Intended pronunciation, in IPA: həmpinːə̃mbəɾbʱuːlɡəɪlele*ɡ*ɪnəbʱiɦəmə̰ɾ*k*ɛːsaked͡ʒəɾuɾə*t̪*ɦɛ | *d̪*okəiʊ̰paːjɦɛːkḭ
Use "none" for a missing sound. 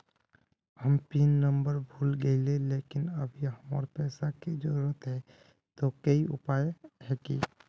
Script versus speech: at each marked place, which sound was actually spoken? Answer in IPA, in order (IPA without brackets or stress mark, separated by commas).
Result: k, p, t̪, t̪